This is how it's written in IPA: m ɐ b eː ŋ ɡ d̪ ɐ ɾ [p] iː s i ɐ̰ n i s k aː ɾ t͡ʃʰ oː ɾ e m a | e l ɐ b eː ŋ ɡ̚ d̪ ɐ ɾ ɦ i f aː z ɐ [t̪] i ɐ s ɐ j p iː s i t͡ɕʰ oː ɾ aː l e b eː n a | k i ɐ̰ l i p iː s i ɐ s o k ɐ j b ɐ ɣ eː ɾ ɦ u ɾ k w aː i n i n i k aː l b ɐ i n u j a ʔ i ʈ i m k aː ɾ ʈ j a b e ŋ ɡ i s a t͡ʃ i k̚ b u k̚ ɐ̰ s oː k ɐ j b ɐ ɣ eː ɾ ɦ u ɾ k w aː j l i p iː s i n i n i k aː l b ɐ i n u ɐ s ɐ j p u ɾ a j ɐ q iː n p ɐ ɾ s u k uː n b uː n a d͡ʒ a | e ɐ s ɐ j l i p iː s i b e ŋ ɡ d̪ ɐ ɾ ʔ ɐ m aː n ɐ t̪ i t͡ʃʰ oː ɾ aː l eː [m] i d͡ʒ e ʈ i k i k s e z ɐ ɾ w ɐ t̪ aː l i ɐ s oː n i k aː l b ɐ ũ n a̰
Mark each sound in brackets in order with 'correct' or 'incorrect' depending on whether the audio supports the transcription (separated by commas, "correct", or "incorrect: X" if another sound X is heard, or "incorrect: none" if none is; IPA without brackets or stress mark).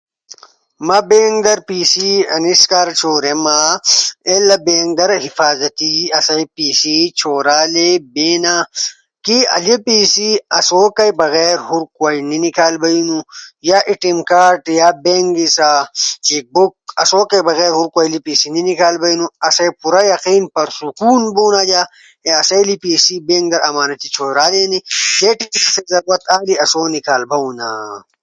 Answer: correct, correct, incorrect: n